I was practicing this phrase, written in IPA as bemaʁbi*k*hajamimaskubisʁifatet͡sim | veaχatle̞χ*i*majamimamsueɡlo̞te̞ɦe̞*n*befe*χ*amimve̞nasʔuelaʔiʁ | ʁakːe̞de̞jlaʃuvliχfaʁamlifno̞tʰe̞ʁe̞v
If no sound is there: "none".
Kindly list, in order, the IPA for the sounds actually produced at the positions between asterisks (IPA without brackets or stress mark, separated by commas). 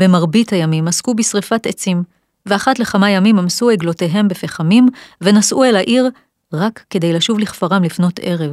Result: t, a, m, χ